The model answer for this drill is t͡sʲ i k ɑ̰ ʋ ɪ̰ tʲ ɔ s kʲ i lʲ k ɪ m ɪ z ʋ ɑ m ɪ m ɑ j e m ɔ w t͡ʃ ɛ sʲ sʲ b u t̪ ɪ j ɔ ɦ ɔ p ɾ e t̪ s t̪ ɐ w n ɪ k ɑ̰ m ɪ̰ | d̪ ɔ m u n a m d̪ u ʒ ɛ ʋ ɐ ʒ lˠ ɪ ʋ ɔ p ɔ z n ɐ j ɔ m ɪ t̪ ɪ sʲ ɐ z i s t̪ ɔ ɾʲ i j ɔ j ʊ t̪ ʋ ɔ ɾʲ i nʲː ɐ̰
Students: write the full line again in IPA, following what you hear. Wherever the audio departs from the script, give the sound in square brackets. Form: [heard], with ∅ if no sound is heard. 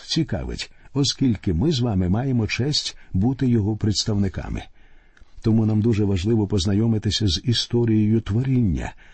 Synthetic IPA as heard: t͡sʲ i k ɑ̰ ʋ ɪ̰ tʲ ɔ s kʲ i lʲ k ɪ m ɪ z ʋ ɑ m ɪ m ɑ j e m ɔ [∅] t͡ʃ ɛ sʲ [tʲ] b u t̪ ɪ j ɔ ɦ ɔ p ɾ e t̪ s t̪ ɐ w n ɪ k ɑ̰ m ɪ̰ | [t̪] ɔ m u n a m d̪ u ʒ ɛ ʋ ɐ ʒ lˠ ɪ ʋ ɔ p ɔ z n ɐ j ɔ m ɪ t̪ ɪ sʲ ɐ z i s t̪ ɔ ɾʲ i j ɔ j ʊ t̪ ʋ ɔ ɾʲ i nʲː ɐ̰